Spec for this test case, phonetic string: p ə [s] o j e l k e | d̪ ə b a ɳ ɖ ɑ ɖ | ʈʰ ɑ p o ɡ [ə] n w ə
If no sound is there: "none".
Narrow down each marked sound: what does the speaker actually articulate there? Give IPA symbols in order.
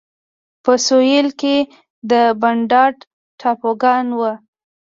s, ɑ

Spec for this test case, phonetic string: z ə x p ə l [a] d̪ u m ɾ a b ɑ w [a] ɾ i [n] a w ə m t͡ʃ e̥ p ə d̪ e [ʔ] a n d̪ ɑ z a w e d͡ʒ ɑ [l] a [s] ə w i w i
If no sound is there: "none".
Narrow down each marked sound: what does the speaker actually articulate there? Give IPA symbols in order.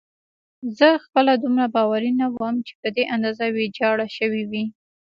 a, a, n, ʔ, ɽ, ʃ

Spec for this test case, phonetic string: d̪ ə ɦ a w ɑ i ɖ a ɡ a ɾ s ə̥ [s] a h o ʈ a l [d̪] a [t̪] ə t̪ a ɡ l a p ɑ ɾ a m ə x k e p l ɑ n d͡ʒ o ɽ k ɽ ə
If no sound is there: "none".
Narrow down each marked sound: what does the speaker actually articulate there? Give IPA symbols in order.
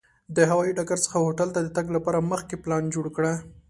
x, t̪, d̪

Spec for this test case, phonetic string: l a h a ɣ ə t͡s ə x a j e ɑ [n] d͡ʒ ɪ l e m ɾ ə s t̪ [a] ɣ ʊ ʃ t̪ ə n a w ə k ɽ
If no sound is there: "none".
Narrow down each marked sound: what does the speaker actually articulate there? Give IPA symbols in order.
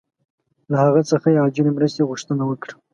none, e

